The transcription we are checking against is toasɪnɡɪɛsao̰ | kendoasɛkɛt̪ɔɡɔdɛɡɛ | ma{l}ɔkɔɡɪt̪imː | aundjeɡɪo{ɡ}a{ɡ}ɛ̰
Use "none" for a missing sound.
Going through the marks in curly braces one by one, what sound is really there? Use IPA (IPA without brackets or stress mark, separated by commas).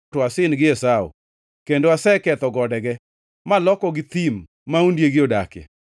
l, d, k